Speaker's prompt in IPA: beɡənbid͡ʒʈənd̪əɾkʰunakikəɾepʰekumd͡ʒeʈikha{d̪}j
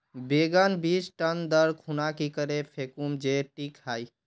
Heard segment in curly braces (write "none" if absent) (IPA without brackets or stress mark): none